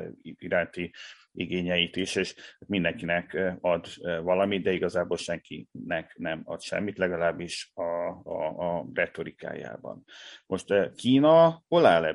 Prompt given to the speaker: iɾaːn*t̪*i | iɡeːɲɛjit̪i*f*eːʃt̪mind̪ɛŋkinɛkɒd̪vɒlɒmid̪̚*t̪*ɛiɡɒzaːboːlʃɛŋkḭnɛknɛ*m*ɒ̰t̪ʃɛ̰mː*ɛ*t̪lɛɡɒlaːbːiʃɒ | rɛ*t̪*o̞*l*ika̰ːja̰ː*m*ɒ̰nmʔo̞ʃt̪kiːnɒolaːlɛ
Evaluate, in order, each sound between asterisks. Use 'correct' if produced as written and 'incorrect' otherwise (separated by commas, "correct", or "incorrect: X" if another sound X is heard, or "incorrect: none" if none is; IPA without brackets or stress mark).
correct, incorrect: ʃ, incorrect: d̪, correct, incorrect: i, correct, incorrect: ɾ, incorrect: b